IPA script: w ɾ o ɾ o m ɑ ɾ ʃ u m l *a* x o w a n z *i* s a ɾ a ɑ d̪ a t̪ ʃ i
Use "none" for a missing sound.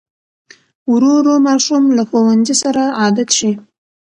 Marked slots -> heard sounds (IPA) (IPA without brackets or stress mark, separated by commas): a, i